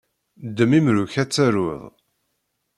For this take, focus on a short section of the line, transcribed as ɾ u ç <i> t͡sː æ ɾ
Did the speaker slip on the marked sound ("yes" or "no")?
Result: yes